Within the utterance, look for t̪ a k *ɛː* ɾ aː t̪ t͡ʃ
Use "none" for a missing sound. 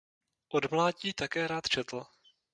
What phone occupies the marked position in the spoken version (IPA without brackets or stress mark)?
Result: ɛː